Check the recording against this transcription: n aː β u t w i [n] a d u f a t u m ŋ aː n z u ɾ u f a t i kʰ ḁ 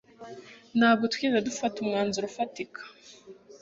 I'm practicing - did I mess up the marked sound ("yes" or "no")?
no